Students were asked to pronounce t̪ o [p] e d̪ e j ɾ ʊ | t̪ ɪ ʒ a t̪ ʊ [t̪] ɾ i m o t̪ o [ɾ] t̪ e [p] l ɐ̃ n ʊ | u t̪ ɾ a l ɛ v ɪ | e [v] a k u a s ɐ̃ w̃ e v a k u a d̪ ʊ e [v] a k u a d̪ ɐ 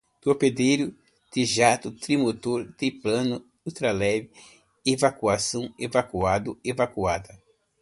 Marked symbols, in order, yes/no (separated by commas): yes, yes, yes, yes, yes, yes